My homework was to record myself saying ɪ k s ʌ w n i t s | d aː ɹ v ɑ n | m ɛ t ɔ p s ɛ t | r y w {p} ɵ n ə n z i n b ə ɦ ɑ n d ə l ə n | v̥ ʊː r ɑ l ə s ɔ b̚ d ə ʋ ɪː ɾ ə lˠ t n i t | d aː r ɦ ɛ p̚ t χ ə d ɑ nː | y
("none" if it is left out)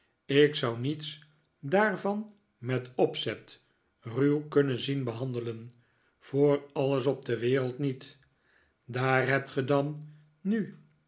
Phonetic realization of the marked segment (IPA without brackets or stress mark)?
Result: k